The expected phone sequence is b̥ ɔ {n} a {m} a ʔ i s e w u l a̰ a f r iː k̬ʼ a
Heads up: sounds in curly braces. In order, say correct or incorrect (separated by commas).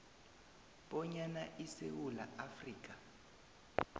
incorrect, incorrect